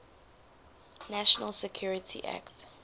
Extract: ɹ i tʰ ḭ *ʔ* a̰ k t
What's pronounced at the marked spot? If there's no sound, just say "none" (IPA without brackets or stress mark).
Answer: ʔ